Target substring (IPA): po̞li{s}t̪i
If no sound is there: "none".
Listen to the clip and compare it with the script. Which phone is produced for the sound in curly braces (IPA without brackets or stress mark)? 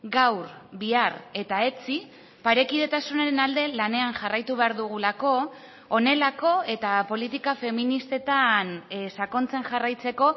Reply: none